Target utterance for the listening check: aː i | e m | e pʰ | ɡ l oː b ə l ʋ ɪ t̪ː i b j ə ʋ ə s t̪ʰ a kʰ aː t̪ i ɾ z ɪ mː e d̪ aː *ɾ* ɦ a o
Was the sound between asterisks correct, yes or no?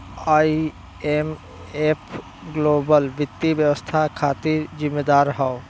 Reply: yes